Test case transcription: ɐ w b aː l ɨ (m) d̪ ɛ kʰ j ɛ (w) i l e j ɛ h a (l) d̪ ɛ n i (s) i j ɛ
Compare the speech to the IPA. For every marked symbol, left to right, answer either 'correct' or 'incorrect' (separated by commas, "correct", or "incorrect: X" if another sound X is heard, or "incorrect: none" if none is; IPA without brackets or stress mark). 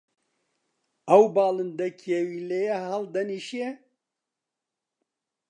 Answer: incorrect: n, correct, correct, incorrect: ʃ